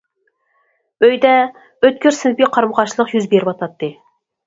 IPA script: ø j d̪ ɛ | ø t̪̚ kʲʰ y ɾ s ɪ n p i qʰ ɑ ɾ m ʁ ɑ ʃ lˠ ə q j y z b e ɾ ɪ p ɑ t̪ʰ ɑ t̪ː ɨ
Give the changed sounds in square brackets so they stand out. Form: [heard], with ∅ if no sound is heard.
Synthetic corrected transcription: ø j d̪ ɛ | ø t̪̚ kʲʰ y ɾ s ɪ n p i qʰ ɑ ɾ m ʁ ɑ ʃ lˠ ə q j y z b e ɾ ɪ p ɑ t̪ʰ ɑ t̪ː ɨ